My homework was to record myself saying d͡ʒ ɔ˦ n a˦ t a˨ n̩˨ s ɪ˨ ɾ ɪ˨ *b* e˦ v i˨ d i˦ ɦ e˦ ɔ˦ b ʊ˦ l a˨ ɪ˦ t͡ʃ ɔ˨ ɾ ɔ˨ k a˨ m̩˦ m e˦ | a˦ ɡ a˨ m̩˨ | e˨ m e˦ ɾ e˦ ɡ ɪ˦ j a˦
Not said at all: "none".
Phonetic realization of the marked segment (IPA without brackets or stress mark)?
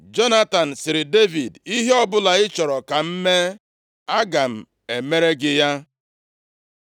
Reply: d